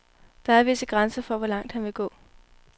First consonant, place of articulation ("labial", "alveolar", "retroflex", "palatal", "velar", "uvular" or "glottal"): alveolar